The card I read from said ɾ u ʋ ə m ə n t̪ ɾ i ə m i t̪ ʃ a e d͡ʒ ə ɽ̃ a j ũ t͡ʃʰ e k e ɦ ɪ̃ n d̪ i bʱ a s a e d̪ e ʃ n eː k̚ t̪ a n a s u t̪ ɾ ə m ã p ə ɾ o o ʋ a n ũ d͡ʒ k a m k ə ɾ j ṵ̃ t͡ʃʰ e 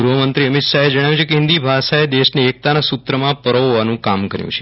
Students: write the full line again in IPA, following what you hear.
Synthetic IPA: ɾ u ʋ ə m ə n t̪ ɾ i ə m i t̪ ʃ a e d͡ʒ ə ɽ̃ a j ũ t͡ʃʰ e k e ɦ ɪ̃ n d̪ i bʱ a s a e d̪ e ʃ n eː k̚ t̪ a n a s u t̪ ɾ ə m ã p ə ɾ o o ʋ a n ũ k a m k ə ɾ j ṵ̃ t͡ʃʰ e

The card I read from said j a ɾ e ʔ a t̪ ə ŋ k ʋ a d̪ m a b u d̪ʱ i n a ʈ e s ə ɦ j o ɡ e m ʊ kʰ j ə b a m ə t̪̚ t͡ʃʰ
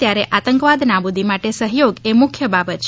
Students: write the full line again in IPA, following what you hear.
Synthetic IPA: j a ɾ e ʔ a t̪ ə ŋ k ʋ a d̪ n a b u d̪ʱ i m a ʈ e s ə ɦ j o ɡ e m ʊ kʰ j ə b a b ə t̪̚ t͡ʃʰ

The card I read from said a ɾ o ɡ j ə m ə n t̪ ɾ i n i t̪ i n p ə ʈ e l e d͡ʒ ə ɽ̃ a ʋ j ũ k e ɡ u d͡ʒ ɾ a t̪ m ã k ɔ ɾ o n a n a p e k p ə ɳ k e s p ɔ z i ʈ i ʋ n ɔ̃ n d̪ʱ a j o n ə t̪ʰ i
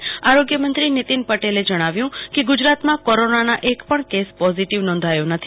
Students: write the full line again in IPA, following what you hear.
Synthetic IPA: a ɾ o ɡ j ə m ə n t̪ ɾ i n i t̪ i n p ə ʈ e l e d͡ʒ ə ɽ̃ a ʋ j ũ k e ɡ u d͡ʒ ɾ a t̪ m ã k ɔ ɾ o n a n a ʔ e k p ə ɳ k e s p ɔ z i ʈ i ʋ n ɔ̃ n d̪ʱ a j o n ə t̪ʰ i

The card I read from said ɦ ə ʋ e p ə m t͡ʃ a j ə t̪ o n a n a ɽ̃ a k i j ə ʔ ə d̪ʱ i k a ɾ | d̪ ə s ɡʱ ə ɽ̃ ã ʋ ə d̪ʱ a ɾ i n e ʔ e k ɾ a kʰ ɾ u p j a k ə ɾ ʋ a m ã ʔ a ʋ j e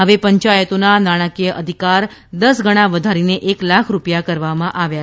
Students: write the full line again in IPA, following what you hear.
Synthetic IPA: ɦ ə ʋ e p ə ɲ t͡ʃ a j ə t̪ o n a n a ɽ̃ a k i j ə ʔ ə d̪ʱ i k a ɾ | d̪ ə s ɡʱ ə ɽ̃ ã ʋ ə d̪ʱ a ɾ i n e ʔ e k l a kʰ ɾ u p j a k ə ɾ ʋ a m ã ʔ a ʋ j a

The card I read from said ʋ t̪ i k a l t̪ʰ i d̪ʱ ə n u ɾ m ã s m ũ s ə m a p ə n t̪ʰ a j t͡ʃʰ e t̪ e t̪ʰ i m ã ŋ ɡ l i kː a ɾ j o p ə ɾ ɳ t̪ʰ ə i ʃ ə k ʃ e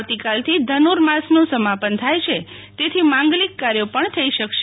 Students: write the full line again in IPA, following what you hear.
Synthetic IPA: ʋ t̪ i k a l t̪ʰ i d̪ʱ ə n u ɾ m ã s n ũ s ə m a p ə n t̪ʰ a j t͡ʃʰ e t̪ e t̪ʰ i m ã ŋ ɡ l i kː a ɾ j o p ə ɳ t̪ʰ ə i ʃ ə k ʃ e

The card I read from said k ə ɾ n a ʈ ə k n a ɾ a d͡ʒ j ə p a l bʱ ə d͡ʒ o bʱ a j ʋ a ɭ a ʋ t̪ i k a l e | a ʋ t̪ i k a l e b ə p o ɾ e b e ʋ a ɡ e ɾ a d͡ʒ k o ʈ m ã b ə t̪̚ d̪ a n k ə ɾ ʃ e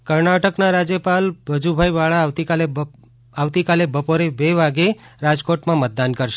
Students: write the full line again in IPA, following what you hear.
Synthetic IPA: k ə ɾ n a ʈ ə k n a ɾ a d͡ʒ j ə p a l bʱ ə d͡ʒ u bʱ a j ʋ a ɭ a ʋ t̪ i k a l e | a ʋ t̪ i k a l e b ə p o ɾ e b e ʋ a ɡ e ɾ a d͡ʒ k o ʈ m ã m ə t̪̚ d̪ a n k ə ɾ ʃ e

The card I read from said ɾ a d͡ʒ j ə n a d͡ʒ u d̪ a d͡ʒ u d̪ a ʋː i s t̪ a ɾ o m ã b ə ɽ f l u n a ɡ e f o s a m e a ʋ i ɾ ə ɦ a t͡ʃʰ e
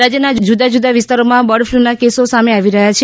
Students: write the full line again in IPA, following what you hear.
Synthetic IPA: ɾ a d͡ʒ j ə n a d͡ʒ u d̪ a d͡ʒ u d̪ a ʋ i s t̪ a ɾ o m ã b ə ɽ f l u n a k e s o s a m e a ʋ i ɾ ə ɦ a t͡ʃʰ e

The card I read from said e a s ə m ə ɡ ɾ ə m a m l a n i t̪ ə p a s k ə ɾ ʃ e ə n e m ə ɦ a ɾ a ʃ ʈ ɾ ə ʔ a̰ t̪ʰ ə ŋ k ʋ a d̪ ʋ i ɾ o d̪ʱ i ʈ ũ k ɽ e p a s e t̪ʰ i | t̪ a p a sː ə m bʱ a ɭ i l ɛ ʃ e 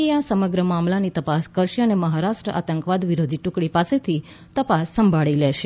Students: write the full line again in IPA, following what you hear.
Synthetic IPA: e a s ə m ə ɡ ɾ ə m a m l a n i t̪ ə p a s k ə ɾ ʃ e ə n e m ə ɦ a ɾ a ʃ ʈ ɾ ə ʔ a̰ t̪ ə ŋ k ʋ a d̪ ʋ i ɾ o d̪ʱ i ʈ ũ k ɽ i p a s e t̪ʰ i | t̪ ə p a sː ə m bʱ a ɭ i l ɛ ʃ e

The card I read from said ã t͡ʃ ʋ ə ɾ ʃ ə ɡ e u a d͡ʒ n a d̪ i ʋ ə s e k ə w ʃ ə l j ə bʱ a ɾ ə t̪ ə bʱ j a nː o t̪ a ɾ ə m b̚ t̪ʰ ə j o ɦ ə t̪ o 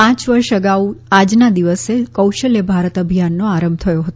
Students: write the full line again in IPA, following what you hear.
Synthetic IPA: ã t͡ʃ ʋ ə ɾ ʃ ə ɡ a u a d͡ʒ n a d̪ i ʋ ə s e k ə w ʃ ə l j ə bʱ a ɾ ə t̪ ə bʱ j a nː o a ɾ ə m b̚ t̪ʰ ə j o ɦ ə t̪ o

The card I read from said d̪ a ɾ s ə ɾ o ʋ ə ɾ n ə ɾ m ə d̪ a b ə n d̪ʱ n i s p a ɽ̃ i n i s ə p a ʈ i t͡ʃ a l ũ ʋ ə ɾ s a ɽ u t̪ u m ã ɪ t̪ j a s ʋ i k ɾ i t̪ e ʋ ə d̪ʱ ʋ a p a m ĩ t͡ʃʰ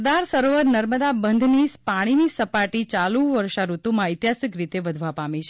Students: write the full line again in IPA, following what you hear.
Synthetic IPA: d̪ a ɾ s ə ɾ o ʋ ə ɾ n ə ɾ m ə d̪ a b ə n d̪ʱ n i s p a ɽ̃ i n i s ə p a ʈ i t͡ʃ a l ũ ʋ ə ɾ ʃ a ɾ u t̪ u m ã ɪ t̪ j a s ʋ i k ɾ i t̪ e ʋ ə d̪ʱ ʋ a p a m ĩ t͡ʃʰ

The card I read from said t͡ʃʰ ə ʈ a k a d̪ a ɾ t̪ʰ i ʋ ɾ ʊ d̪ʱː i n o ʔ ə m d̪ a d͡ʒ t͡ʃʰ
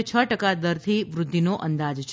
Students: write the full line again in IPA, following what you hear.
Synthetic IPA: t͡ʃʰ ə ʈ ə k a d̪ ə ɾ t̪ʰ i ʋ ɾ ʊ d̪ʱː i n o ʔ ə n d̪ a d͡ʒ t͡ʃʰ

